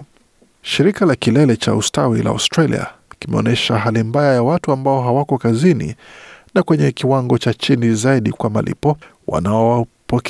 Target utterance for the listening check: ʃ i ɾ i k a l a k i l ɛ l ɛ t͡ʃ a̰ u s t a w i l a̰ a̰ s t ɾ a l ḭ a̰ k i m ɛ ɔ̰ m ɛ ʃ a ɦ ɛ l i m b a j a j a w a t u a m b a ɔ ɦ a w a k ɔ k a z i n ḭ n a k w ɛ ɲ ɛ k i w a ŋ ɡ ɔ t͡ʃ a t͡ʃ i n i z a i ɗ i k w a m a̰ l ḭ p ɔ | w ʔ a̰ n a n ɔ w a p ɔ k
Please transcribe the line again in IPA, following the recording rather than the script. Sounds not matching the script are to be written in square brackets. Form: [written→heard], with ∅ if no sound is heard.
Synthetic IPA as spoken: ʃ i ɾ i k a l a k i l ɛ l ɛ t͡ʃ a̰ u s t a w i l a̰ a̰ s t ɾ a l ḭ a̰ k i m ɛ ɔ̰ [m→n] ɛ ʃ a ɦ [ɛ→a] l i m b a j a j a w a t u a m b a ɔ ɦ a w a k ɔ k a z i n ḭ n a k w ɛ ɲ ɛ k i w a ŋ ɡ ɔ t͡ʃ a t͡ʃ i n i z a i ɗ i k w a m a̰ l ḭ p ɔ | w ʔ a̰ n a [n→∅] ɔ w a p ɔ k